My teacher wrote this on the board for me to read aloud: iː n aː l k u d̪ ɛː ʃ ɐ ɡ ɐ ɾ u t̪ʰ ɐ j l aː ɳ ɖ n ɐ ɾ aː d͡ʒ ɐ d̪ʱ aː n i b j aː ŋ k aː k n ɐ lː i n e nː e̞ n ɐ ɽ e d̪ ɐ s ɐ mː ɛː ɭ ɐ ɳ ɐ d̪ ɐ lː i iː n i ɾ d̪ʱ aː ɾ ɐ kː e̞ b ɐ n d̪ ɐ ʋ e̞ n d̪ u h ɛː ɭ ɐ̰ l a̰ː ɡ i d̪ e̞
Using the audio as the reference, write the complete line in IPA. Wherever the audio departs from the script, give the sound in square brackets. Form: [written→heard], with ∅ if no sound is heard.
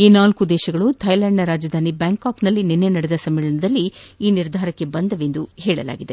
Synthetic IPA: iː n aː l k u d̪ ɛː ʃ ɐ ɡ ɐ [ɾ→ɭ] u t̪ʰ ɐ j l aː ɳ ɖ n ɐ ɾ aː d͡ʒ ɐ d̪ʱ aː n i b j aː ŋ k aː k n ɐ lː i n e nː e̞ n ɐ ɽ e d̪ ɐ s ɐ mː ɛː ɭ ɐ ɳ ɐ d̪ ɐ lː i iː n i ɾ d̪ʱ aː ɾ ɐ kː e̞ b ɐ n d̪ ɐ ʋ e̞ n d̪ u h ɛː ɭ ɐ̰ l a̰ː ɡ i d̪ e̞